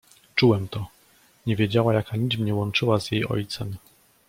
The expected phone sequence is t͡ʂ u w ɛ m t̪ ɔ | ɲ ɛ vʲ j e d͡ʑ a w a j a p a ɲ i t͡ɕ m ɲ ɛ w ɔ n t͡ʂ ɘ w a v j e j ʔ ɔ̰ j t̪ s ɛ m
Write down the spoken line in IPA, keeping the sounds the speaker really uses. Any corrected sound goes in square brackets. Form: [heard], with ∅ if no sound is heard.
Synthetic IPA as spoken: t͡ʂ u w ɛ m t̪ ɔ | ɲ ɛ vʲ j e d͡ʑ a w a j a [k] a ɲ i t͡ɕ m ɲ ɛ w ɔ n t͡ʂ ɘ w a [z] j e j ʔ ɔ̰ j t̪ s ɛ m

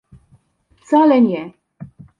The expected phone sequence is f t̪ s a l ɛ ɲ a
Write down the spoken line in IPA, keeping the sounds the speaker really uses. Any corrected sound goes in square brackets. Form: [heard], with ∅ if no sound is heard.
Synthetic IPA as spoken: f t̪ s a l ɛ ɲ [ɛ]

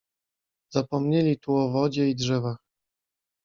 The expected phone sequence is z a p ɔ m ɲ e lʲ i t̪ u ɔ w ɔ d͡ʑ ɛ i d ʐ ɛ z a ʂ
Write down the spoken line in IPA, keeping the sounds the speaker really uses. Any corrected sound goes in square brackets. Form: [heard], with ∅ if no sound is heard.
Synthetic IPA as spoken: z a p ɔ m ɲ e lʲ i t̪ u ɔ [v] ɔ d͡ʑ ɛ i d ʐ ɛ [v] a [x]

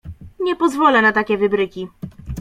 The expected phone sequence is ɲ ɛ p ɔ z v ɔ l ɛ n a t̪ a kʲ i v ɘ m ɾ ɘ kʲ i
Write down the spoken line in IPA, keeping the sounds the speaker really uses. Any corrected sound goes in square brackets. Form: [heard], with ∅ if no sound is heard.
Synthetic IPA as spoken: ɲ ɛ p ɔ z v ɔ l ɛ n a t̪ a kʲ [ɛ] v ɘ [b] ɾ ɘ kʲ i

